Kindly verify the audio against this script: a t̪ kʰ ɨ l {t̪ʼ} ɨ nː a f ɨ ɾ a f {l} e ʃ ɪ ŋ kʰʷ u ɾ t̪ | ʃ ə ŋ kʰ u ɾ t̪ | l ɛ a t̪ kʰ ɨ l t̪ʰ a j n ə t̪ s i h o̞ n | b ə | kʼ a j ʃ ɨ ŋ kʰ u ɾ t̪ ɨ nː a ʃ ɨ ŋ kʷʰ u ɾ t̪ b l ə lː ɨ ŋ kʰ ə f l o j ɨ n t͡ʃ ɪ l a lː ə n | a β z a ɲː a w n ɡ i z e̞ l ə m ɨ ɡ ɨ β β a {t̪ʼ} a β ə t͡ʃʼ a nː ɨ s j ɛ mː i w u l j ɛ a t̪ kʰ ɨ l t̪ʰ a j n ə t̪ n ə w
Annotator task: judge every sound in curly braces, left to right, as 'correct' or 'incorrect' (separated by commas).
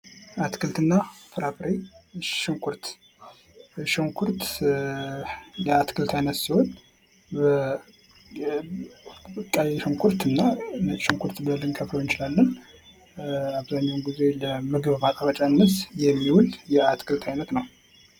incorrect, incorrect, correct